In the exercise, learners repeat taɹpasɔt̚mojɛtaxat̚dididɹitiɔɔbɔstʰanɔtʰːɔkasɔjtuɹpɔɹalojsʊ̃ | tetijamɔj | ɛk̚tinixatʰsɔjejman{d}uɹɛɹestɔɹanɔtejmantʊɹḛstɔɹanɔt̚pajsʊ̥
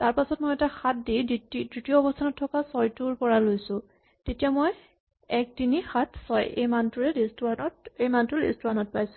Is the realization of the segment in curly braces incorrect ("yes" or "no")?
yes